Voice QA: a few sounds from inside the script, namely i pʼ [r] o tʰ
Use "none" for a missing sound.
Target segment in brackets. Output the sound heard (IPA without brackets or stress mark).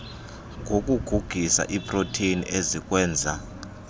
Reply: r